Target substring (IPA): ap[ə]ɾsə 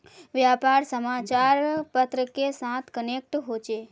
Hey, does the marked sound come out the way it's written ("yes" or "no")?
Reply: no